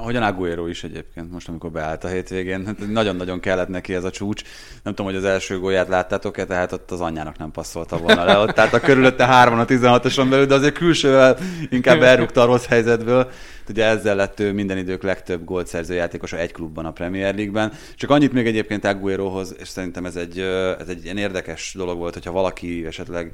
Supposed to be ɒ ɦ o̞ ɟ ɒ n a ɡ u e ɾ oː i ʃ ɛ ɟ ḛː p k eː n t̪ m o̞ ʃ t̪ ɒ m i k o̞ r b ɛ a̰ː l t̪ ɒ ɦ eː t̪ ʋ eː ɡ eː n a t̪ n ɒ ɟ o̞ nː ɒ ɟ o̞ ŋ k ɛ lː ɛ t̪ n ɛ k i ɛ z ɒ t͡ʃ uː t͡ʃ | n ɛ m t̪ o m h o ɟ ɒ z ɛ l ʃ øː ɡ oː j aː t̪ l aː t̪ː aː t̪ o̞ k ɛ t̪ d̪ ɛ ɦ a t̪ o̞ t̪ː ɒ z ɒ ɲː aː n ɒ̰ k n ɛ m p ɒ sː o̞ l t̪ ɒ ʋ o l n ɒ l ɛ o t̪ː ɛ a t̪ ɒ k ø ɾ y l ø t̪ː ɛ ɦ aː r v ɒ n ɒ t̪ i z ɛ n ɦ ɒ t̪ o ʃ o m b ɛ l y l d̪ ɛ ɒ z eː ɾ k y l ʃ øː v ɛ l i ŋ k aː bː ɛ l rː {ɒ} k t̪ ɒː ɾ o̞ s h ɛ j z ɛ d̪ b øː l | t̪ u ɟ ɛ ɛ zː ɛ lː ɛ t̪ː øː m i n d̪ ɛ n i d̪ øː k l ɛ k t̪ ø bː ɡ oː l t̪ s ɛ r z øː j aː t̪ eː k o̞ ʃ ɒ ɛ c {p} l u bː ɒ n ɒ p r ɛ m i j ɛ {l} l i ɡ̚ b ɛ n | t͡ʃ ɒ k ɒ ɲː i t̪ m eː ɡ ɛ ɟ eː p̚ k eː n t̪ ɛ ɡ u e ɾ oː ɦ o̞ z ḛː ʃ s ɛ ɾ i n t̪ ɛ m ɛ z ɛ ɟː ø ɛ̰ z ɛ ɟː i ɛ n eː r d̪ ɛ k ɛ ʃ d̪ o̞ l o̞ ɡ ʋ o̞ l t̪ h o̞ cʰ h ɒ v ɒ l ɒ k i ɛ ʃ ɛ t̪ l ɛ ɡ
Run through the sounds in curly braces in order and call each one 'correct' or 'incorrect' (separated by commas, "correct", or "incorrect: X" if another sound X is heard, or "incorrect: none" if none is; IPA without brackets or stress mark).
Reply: incorrect: u, incorrect: k, incorrect: r